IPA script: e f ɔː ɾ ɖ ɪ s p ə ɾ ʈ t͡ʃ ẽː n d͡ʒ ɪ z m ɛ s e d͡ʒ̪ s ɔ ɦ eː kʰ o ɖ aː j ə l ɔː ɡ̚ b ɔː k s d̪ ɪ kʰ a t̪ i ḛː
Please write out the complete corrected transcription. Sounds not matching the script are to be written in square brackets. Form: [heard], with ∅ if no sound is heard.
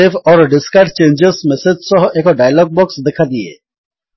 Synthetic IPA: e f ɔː ɾ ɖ ɪ s [k] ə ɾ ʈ t͡ʃ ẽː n d͡ʒ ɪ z m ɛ s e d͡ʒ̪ s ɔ ɦ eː [k] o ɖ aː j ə l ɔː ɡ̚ b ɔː k s d̪ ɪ kʰ a [d̪] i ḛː

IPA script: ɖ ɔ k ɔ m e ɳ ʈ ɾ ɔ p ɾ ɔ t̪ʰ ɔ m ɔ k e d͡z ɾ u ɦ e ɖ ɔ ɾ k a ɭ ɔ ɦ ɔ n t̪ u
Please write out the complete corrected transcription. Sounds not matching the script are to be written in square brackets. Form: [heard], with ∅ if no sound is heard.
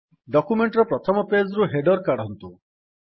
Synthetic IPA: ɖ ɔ k [u] m e ɳ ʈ ɾ ɔ p ɾ ɔ t̪ʰ ɔ m ɔ [p] e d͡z ɾ u ɦ e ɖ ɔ ɾ k a [ɽ] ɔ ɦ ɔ n t̪ u

